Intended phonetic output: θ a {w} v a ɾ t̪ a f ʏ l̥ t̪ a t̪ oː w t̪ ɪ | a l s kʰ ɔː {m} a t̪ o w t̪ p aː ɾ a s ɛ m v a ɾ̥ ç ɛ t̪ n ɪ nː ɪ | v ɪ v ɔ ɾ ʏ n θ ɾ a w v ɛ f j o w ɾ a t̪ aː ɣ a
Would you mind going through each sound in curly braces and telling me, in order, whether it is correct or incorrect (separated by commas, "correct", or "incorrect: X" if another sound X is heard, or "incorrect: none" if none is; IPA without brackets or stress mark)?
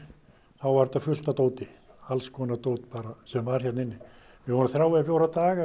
correct, incorrect: n